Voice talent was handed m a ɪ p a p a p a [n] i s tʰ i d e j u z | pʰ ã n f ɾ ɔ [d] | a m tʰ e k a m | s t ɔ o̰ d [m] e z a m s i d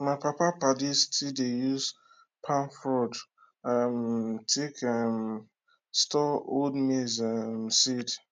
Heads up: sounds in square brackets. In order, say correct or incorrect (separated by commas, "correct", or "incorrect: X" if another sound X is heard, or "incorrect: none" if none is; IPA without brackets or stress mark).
incorrect: d, correct, correct